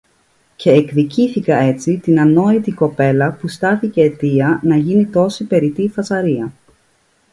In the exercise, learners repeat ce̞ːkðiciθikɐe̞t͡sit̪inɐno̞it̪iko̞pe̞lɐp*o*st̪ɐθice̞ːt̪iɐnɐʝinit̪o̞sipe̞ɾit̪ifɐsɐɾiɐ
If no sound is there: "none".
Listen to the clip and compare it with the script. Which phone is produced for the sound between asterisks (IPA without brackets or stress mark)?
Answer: u